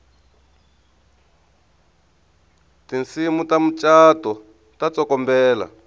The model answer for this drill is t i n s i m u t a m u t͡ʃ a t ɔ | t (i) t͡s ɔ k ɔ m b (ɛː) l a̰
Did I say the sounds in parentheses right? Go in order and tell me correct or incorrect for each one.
incorrect, correct

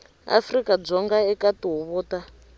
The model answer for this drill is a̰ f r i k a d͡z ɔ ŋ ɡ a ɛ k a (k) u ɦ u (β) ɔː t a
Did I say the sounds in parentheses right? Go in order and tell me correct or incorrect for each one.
incorrect, correct

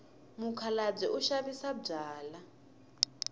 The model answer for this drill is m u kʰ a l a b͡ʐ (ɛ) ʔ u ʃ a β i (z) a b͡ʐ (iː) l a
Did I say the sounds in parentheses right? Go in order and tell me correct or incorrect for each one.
correct, incorrect, incorrect

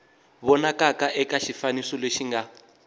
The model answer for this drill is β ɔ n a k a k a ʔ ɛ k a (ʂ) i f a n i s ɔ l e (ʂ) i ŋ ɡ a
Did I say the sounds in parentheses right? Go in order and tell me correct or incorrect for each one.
incorrect, incorrect

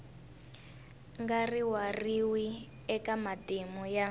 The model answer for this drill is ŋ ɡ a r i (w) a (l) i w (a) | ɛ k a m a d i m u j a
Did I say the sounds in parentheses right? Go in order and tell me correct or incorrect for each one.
correct, incorrect, incorrect

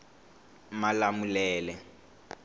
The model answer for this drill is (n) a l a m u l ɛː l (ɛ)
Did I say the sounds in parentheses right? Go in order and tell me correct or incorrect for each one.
incorrect, correct

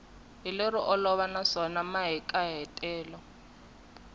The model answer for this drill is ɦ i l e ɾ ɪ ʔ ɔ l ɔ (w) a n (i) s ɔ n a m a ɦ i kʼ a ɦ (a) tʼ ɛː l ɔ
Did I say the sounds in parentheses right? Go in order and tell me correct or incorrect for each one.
incorrect, incorrect, incorrect

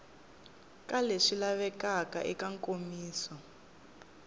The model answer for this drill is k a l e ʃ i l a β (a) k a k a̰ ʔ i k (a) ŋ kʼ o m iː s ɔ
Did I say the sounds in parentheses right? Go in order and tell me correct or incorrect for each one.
incorrect, correct

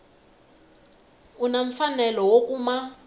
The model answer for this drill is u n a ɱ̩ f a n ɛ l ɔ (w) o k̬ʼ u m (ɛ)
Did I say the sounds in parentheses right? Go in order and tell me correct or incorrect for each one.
correct, incorrect

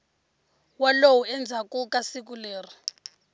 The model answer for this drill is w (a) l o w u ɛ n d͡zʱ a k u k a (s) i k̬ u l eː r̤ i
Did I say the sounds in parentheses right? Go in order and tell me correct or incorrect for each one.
correct, correct

